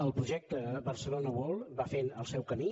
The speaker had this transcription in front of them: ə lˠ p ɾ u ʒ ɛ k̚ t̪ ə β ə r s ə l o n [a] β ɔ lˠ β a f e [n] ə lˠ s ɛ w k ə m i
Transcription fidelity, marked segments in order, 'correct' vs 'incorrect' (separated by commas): incorrect, correct